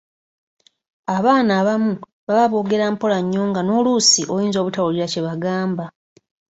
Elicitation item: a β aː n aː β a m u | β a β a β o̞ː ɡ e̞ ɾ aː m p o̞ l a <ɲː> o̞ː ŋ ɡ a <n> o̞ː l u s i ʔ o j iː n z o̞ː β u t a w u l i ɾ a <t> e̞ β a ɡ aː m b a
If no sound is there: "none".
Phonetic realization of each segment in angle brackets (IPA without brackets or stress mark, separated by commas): ɲː, n, c